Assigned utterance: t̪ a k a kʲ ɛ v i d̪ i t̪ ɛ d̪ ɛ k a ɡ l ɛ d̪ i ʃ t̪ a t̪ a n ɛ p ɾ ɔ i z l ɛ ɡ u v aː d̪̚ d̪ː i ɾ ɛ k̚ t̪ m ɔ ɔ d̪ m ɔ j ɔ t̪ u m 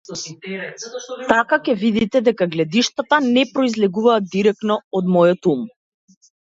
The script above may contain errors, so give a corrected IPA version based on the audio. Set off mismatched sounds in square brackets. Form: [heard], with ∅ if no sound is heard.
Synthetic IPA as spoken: t̪ a k a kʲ ɛ v i d̪ i t̪ ɛ d̪ ɛ k a ɡ l ɛ d̪ i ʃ t̪ a t̪ a n ɛ p ɾ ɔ i z l ɛ ɡ u v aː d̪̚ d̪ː i ɾ ɛ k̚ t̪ [n] ɔ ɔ d̪ m ɔ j ɔ t̪ u m